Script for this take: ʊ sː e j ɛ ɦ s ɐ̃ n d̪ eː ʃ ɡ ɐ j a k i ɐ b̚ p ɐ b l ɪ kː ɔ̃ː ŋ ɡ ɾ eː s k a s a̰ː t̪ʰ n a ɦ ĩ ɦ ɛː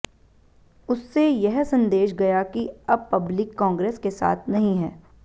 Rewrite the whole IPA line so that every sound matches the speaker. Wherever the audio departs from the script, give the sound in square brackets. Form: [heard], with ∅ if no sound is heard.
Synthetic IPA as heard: ʊ sː e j ɛ ɦ s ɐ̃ n d̪ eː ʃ ɡ ɐ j a k i ɐ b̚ p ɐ b l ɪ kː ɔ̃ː ŋ ɡ ɾ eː s k [e] s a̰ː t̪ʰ n [ɐ] ɦ ĩ ɦ ɛː